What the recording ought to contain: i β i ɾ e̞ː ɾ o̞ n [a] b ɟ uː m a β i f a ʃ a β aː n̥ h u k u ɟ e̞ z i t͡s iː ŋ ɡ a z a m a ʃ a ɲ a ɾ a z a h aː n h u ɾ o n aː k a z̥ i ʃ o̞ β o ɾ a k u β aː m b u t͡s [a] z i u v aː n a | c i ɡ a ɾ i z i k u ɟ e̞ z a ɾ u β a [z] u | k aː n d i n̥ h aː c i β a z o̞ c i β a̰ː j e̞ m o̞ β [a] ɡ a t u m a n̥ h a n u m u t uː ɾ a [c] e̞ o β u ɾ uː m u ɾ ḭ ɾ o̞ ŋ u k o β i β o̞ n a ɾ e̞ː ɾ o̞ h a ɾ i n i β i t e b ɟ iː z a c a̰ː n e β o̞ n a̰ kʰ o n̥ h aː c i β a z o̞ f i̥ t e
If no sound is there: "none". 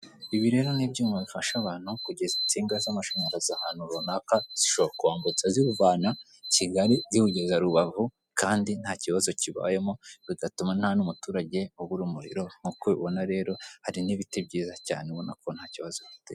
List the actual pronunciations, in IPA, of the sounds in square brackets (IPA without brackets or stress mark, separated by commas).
i, a, v, i, ɟ